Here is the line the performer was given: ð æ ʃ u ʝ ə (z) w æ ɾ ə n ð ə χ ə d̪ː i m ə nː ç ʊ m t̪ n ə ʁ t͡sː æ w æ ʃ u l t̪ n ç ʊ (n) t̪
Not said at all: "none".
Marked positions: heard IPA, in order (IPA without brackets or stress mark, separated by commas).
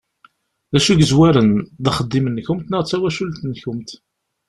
z, m